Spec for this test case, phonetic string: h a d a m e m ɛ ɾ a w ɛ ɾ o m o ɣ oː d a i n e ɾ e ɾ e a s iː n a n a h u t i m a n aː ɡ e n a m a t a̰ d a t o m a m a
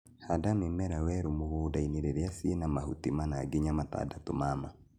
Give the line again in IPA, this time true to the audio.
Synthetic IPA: h a d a m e m ɛ ɾ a w ɛ ɾ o m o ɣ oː d a i n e ɾ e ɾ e a s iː n a m a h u t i m a n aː ɡ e ɲ a m a t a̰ d a t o m a m a